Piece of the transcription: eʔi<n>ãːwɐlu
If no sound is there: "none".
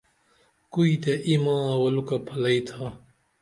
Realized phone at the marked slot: m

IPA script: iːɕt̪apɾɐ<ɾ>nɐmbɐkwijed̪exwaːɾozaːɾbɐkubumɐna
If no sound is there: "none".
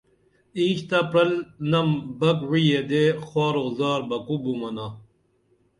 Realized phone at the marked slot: l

